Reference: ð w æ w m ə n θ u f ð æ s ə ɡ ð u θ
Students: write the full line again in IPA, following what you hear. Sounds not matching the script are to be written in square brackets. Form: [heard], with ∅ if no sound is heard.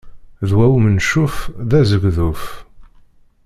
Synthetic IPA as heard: ð w æ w m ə n [ʃ] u f ð æ [z] ə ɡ ð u [f]